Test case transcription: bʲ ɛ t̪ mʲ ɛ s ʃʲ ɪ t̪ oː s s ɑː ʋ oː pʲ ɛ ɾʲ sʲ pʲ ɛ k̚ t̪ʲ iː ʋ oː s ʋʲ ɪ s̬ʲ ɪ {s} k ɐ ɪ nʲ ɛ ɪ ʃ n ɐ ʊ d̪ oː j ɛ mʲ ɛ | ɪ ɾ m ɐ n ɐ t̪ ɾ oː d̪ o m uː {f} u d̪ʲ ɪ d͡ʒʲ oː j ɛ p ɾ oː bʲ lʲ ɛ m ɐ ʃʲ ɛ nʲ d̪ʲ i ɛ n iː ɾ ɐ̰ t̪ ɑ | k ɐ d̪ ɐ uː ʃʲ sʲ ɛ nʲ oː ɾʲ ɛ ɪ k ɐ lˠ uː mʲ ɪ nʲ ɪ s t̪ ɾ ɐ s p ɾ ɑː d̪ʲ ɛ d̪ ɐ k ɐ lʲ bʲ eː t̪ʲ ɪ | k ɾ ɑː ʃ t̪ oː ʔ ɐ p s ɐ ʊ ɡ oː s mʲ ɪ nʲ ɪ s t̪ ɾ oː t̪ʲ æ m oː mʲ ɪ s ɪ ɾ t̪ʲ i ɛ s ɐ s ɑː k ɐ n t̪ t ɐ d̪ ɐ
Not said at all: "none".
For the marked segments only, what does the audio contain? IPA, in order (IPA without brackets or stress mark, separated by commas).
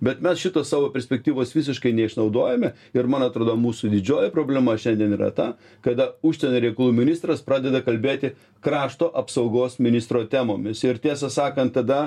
ʃ, s